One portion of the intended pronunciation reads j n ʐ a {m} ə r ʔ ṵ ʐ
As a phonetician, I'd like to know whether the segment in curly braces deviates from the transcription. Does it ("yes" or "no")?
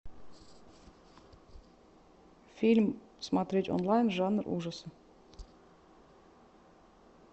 yes